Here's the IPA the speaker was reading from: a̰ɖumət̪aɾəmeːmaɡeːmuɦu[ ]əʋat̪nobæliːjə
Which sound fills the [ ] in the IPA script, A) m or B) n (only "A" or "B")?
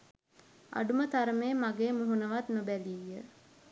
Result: B